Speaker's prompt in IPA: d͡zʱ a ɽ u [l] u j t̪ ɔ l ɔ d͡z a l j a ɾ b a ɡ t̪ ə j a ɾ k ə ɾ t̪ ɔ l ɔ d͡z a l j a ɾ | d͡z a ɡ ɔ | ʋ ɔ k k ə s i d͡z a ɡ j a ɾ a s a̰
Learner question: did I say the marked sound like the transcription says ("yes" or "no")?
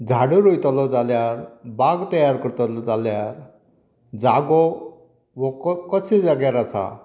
no